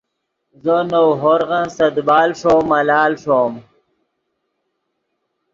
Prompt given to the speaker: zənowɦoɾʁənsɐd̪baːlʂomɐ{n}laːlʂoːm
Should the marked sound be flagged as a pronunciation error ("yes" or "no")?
yes